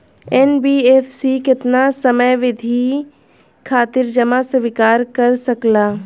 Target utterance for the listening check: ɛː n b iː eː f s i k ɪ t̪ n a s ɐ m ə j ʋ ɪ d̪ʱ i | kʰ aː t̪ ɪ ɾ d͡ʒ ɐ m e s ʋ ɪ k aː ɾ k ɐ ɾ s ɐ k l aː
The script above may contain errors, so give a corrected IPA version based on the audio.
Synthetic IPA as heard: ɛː n b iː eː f s i k ɪ t̪ n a s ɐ m ə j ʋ ɪ d̪ʱ i | kʰ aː t̪ ɪ ɾ d͡ʒ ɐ m a s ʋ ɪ k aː ɾ k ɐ ɾ s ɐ k l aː